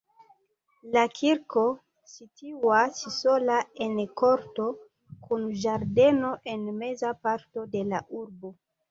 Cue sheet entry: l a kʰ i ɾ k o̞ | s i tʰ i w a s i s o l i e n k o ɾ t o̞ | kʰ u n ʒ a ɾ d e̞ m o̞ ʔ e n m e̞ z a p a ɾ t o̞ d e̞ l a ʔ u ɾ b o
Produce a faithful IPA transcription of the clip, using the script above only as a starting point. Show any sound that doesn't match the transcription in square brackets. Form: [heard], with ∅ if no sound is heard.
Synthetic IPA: l a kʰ i ɾ k o̞ | s i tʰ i w a s i s o l [a] e n k o ɾ t o̞ | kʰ u n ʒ a ɾ d e̞ [n] o̞ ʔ e n m e̞ z a p a ɾ t o̞ d e̞ l a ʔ u ɾ b o